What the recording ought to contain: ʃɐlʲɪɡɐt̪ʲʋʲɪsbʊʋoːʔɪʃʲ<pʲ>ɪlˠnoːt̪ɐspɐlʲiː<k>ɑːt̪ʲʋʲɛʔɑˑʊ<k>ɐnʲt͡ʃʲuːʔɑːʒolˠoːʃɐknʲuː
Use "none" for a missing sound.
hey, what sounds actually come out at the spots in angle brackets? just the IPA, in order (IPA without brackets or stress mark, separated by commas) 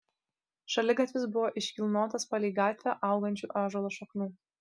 kʲ, ɡ, ɡ